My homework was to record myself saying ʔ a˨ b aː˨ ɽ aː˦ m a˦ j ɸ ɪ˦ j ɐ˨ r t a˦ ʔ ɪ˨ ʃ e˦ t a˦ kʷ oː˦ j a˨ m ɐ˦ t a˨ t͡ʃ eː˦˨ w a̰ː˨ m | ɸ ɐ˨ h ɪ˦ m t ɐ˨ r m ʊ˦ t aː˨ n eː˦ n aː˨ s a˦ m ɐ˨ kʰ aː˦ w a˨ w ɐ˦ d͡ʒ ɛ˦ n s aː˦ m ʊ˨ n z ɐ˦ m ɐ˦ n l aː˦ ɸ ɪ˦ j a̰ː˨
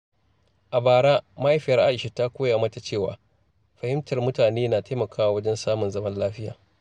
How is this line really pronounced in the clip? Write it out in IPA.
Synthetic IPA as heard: ʔ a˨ b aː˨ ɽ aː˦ m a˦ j ɸ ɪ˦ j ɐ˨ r ʔ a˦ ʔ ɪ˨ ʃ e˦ t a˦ kʷ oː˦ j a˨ m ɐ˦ t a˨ t͡ʃ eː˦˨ w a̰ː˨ | ɸ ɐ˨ h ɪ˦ m t ɐ˨ r m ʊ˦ t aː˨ n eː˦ n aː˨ t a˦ m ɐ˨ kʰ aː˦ w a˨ w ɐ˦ d͡ʒ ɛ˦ n s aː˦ m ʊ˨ n z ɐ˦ m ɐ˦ n l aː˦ ɸ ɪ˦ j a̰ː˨